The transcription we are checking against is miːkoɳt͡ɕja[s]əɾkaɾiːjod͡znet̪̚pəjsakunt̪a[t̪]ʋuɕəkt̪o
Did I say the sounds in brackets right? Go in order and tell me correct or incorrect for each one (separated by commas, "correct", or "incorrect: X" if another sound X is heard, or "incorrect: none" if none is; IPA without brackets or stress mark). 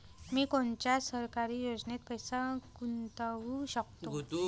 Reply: correct, incorrect: none